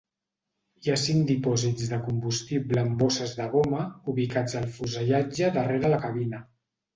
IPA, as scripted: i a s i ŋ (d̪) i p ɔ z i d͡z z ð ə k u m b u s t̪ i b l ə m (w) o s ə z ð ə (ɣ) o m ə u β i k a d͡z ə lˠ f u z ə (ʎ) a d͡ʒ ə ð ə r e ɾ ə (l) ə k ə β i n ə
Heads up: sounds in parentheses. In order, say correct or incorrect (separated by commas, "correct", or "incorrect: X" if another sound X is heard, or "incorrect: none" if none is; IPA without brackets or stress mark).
correct, incorrect: b, correct, correct, correct